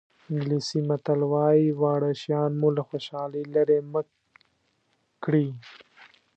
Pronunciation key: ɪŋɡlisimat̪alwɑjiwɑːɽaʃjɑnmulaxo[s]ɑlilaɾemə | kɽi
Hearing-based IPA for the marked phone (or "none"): ʃ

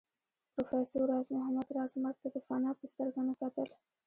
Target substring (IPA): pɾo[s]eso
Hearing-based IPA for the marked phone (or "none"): f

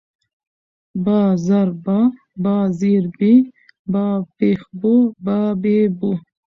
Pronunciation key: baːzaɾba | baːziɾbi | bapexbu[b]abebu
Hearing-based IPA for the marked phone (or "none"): b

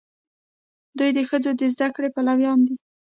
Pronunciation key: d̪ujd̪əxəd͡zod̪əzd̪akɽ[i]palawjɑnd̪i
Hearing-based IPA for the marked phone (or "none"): e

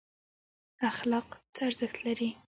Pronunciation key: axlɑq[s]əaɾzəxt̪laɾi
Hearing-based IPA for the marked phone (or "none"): t͡s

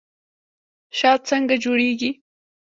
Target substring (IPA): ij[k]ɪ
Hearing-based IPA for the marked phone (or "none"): k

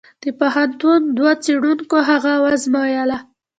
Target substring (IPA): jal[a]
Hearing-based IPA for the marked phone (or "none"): a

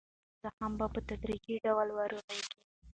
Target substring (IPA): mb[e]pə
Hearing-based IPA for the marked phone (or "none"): a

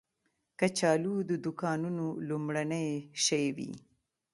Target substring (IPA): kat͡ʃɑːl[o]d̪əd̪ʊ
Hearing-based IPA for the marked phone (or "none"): u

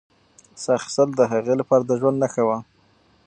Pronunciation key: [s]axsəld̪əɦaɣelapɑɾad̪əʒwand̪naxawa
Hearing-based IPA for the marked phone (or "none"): s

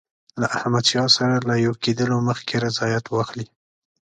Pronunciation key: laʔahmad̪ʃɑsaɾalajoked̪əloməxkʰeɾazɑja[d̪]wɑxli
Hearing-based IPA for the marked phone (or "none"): t̪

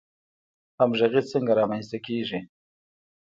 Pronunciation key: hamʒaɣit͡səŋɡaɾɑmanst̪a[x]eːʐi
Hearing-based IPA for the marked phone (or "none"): k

